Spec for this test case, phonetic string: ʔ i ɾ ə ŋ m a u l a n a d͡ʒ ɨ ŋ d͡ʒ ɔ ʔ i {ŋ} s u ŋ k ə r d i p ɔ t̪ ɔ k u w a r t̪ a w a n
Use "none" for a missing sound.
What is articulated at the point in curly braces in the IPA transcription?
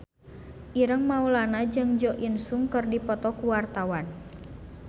n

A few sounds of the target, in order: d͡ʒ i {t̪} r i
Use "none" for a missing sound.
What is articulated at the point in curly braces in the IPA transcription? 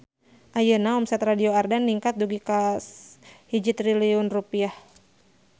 t̪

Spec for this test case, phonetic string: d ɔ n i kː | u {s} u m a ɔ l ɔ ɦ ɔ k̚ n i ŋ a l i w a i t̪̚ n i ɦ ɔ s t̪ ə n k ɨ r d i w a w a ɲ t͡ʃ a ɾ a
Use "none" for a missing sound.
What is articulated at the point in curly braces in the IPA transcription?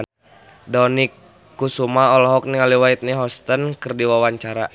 s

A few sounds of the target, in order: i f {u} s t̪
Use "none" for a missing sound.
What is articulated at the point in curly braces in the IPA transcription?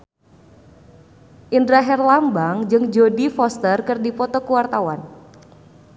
ɔ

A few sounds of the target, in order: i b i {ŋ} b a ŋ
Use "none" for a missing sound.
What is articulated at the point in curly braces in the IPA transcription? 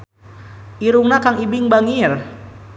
ŋ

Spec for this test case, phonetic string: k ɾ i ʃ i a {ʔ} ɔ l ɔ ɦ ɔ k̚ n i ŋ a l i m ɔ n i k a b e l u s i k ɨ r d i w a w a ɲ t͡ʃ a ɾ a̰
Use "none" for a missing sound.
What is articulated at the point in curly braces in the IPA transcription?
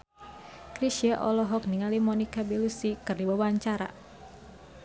ʔ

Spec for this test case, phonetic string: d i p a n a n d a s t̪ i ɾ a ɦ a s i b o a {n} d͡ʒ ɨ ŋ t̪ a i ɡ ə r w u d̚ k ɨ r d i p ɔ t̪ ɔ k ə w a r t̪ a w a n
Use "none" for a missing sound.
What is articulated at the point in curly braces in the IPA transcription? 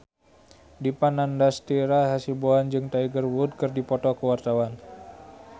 n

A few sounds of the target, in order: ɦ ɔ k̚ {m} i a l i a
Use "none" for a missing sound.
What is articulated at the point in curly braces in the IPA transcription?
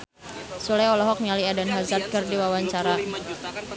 m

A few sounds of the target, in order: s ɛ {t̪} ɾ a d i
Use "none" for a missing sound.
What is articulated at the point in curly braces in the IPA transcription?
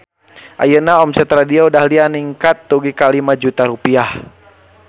t̪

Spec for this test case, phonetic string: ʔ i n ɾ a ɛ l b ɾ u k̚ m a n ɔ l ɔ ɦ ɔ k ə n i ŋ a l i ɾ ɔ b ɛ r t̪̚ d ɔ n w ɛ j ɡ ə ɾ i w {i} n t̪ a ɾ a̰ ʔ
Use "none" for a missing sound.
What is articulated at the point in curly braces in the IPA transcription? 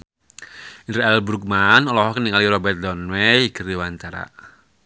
a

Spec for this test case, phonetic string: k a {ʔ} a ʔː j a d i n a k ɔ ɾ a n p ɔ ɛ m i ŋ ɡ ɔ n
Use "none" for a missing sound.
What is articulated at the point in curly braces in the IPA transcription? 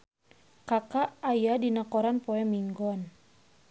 k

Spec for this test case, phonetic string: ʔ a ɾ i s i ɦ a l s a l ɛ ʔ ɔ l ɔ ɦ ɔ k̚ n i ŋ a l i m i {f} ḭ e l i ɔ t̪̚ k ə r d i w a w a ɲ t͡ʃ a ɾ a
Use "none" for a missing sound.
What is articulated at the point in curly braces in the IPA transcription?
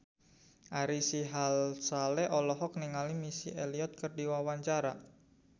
s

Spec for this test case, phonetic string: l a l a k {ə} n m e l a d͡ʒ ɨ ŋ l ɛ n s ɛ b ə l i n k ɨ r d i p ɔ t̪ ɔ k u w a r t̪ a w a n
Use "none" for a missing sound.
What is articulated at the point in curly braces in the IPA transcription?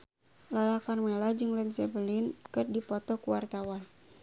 a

